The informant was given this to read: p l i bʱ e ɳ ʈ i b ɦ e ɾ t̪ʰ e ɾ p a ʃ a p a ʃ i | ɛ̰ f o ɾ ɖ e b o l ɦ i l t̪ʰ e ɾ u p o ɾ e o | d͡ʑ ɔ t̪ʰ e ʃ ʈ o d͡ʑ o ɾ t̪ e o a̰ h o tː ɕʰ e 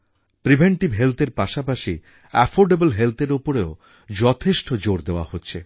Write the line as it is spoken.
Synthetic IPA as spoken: p ɾ i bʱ e ɳ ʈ i b ɦ e l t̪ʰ e ɾ p a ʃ a p a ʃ i | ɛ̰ f o ɾ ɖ e b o l ɦ e l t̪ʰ e ɾ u p o ɾ e o | d͡ʑ ɔ t̪ʰ e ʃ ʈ o d͡ʑ o ɾ d̪ e o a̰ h o tː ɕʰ e